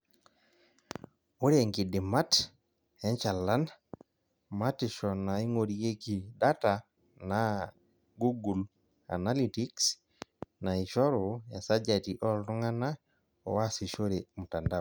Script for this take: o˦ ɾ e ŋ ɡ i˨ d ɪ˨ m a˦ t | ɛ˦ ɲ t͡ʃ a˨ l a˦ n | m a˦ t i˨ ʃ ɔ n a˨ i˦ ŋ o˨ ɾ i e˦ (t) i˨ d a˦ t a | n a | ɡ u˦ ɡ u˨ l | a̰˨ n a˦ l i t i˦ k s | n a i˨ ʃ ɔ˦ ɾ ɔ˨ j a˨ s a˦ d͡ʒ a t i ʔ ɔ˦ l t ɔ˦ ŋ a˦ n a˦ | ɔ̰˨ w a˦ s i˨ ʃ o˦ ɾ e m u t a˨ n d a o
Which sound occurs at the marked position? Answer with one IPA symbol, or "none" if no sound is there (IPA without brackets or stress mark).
k